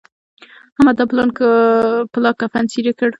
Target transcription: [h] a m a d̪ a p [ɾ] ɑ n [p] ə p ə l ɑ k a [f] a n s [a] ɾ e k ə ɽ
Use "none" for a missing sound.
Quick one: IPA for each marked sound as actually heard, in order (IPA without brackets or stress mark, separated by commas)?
h, l, k, f, i